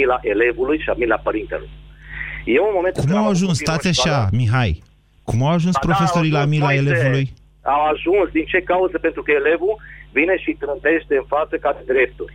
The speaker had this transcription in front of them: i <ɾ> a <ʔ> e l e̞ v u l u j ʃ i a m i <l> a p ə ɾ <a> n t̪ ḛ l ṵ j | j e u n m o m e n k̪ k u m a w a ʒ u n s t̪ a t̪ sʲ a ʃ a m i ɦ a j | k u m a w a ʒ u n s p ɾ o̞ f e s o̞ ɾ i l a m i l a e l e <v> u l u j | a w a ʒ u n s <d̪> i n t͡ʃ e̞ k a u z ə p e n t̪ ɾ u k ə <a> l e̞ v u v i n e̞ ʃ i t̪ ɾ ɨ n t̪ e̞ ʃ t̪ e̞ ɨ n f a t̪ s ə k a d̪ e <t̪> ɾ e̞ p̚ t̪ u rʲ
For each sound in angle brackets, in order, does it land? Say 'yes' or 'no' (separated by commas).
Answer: no, yes, yes, no, yes, yes, no, no